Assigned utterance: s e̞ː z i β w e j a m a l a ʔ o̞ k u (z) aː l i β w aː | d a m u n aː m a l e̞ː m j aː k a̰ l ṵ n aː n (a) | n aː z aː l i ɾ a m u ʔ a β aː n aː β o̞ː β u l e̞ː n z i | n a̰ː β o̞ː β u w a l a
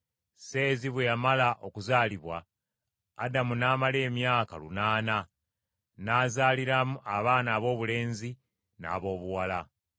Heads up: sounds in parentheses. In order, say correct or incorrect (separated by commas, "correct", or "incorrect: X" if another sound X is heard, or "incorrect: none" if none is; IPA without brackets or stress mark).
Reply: correct, correct